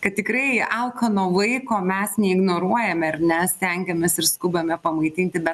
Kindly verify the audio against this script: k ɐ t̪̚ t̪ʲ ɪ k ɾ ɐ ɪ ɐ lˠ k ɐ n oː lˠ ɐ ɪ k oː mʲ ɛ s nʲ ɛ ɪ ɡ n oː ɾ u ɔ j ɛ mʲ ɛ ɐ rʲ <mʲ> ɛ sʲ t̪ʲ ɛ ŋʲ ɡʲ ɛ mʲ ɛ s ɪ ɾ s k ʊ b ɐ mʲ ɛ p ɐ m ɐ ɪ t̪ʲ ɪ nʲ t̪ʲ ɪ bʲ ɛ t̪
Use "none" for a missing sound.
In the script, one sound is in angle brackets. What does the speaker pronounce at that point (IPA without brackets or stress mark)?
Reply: nʲ